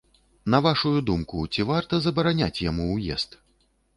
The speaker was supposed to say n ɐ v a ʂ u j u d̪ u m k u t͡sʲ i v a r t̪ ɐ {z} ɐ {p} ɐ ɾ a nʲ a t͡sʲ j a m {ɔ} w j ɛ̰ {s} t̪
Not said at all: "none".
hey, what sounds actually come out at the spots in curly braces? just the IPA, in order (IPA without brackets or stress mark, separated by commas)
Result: z, b, u, s